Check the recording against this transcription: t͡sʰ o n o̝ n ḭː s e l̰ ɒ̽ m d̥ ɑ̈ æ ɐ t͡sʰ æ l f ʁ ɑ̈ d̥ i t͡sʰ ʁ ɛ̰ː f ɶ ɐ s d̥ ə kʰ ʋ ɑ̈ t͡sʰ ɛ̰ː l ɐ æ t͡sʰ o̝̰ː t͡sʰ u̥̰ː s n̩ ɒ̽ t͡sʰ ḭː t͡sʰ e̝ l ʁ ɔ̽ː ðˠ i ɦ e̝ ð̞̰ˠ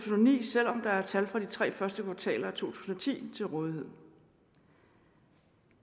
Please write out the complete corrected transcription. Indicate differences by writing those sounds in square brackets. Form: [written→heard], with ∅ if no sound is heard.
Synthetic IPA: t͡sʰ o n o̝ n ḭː s e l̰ ɒ̽ m d̥ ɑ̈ æ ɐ t͡sʰ æ l f ʁ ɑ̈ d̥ i t͡sʰ ʁ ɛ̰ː f ɶ ɐ s d̥ ə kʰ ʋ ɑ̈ t͡sʰ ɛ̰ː l ɐ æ t͡sʰ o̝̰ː t͡sʰ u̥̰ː s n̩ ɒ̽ t͡sʰ ḭː t͡sʰ e̝ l ʁ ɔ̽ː ðˠ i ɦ e̝ ð̞̰ˠ